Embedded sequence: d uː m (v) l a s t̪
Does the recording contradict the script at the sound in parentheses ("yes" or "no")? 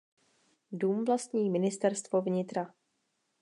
no